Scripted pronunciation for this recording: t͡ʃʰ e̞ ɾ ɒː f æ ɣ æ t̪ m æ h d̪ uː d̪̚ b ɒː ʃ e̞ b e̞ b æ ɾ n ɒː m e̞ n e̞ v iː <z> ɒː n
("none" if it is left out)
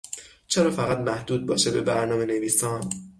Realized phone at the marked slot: s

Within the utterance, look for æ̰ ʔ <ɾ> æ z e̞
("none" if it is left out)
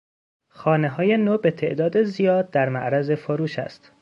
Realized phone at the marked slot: ɾ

